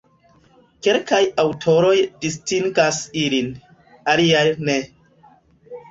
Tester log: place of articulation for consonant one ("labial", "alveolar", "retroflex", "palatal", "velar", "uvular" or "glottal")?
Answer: velar